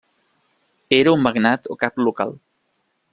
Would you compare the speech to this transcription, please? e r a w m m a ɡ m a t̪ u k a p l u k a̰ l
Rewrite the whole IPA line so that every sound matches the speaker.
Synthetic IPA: e ɾ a u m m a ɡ n a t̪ o k a p l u k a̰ l